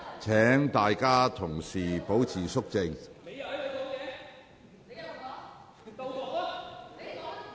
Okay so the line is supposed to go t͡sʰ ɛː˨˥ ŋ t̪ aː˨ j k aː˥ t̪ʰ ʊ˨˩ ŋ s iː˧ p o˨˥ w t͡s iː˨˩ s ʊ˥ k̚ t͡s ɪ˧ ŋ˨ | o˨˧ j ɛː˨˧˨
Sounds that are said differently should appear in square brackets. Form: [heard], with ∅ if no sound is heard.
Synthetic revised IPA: t͡sʰ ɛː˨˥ ŋ t̪ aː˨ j k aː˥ t̪ʰ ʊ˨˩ ŋ s [iː˨˩] p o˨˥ w [t͡sʰ] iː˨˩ s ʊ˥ k̚ t͡s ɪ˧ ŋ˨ | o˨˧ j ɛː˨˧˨